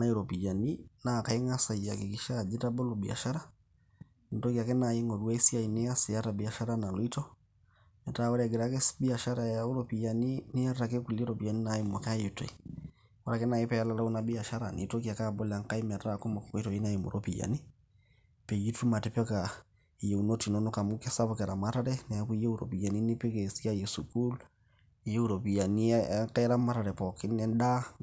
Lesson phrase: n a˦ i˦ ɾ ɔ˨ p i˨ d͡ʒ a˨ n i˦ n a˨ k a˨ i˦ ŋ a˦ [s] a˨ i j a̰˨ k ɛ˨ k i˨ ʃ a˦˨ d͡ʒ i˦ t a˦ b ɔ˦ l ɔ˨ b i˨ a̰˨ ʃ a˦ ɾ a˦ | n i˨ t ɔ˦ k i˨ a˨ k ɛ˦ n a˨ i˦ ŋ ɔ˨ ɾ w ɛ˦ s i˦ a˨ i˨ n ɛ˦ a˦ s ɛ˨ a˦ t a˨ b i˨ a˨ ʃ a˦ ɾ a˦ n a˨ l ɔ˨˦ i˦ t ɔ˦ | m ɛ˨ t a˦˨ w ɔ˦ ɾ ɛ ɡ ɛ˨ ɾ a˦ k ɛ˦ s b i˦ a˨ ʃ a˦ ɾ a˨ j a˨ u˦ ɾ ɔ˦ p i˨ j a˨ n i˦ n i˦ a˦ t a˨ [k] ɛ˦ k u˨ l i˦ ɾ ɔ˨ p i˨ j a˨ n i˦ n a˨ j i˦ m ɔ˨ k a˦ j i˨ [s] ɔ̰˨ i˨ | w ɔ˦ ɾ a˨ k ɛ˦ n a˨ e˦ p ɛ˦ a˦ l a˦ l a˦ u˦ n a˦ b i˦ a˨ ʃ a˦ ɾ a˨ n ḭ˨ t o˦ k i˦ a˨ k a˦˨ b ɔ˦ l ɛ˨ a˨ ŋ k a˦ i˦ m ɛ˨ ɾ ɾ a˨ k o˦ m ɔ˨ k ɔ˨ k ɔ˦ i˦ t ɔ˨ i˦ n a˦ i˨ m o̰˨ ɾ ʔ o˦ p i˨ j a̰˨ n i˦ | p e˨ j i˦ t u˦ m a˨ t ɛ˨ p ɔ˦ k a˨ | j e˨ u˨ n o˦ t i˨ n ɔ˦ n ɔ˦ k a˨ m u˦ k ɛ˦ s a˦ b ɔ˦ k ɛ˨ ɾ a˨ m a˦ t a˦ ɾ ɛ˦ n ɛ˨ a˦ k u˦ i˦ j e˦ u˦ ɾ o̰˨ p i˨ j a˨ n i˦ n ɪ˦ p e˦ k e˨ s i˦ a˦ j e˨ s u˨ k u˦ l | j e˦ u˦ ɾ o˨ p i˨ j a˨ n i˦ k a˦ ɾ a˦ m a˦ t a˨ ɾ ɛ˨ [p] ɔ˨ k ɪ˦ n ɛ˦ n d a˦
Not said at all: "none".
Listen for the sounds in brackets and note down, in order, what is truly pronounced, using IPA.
s, k, t, p

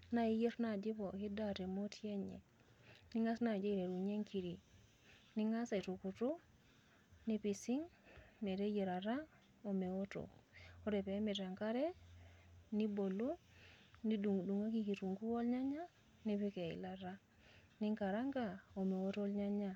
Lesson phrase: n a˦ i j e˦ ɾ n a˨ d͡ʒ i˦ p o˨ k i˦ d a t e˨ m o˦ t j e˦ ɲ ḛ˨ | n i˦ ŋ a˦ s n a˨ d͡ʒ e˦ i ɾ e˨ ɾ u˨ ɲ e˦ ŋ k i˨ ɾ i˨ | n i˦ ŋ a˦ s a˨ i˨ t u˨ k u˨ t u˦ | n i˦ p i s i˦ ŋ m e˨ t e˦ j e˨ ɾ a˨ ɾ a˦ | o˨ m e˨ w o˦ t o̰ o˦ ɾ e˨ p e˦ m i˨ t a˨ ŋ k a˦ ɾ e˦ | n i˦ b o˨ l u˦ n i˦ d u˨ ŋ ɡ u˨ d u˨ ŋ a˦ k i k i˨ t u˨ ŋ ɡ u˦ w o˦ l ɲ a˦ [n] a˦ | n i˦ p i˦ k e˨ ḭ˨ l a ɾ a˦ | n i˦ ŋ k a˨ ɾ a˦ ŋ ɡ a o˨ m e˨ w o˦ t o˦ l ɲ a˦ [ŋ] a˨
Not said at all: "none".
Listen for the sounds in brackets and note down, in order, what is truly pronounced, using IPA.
ɲ, ɲ

